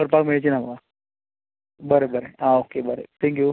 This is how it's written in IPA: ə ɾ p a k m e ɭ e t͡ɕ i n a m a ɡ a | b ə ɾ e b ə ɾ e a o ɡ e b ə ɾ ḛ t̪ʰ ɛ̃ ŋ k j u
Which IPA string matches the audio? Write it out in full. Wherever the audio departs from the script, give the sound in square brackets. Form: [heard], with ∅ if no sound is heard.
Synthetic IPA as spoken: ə ɾ p a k m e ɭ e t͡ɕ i n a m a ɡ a | b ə ɾ e b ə ɾ e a o [k] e b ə ɾ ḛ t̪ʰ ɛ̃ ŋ k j u